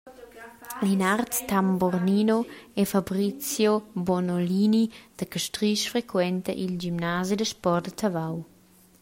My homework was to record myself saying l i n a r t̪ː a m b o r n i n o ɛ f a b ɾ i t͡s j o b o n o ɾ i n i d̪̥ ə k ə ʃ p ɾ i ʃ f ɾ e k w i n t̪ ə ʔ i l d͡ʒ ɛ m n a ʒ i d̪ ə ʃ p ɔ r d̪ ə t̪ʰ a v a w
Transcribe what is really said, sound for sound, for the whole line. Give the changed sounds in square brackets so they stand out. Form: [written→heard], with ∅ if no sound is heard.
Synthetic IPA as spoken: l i n a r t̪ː a m b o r n i n o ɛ f a b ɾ i t͡s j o b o n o [ɾ→l] i n i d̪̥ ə k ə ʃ [p→t] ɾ i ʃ f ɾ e k w [i→ɛ] n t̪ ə ʔ i l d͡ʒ [ɛ→i] m n a [ʒ→z] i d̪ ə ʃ p ɔ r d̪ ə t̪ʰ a v a w